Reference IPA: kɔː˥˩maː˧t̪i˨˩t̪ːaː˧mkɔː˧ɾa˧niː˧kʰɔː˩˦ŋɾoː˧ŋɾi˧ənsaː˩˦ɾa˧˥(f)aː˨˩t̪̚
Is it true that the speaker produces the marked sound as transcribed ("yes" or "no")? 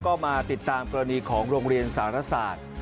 no